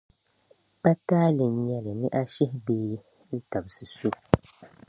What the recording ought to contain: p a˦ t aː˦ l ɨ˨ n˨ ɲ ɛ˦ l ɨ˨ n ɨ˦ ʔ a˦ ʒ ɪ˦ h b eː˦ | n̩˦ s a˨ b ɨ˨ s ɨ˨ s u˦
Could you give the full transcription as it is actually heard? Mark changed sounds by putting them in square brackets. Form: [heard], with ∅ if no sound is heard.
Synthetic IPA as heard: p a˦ t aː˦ l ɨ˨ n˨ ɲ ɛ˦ l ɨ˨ n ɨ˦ ʔ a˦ [ʃ] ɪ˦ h b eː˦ | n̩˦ [t] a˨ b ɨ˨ s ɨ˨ s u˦